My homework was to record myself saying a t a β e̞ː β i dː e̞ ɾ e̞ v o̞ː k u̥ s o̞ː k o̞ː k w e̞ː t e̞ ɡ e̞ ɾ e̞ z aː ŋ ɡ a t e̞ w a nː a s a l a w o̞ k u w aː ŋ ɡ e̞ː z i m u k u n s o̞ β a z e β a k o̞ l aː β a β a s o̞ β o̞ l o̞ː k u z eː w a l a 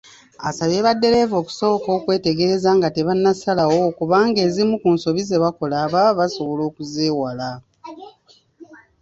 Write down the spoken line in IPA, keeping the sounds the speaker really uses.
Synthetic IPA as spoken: a s a β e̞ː β a dː e̞ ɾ e̞ v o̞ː k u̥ s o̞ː k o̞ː k w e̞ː t e̞ ɡ e̞ ɾ e̞ z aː ŋ ɡ a t e̞ β a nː a s a l a w o̞ k u β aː ŋ ɡ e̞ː z i m u k u n s o̞ β i z e β a k o̞ l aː β a β a s o̞ β o̞ l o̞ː k u z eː w a l a